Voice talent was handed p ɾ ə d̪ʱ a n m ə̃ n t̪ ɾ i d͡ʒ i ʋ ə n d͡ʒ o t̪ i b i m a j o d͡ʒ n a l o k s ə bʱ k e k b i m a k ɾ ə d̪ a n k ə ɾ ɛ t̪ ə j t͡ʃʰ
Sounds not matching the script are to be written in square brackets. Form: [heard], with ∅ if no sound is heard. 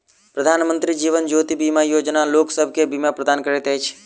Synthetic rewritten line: p ɾ ə d̪ʱ a n m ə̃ n t̪ ɾ i d͡ʒ i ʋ ə n d͡ʒ o t̪ i b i m a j o d͡ʒ n a l o k s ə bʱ k e [∅] b i m a [p] ɾ ə d̪ a n k ə ɾ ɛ t̪ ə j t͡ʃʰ